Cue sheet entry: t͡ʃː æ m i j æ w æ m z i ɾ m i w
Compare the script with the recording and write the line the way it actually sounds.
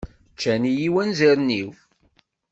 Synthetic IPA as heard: t͡ʃː æ n i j i w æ n z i ɾ n i w